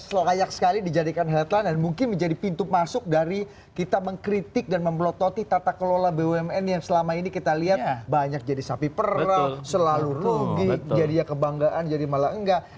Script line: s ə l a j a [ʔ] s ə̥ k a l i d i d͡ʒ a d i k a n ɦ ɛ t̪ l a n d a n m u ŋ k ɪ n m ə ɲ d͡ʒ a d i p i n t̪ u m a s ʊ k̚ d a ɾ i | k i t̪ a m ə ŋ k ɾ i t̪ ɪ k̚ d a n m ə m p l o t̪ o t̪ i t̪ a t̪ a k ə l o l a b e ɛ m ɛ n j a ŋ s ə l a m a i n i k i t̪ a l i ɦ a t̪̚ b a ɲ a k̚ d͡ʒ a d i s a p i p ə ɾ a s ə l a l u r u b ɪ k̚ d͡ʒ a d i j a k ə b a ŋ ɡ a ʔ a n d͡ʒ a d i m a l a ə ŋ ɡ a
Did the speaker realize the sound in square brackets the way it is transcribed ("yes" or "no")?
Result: no